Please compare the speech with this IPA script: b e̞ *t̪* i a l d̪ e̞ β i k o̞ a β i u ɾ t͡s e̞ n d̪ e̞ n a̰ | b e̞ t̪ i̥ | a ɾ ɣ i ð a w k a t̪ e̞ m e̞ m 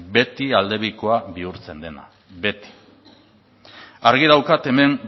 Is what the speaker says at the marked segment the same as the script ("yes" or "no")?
yes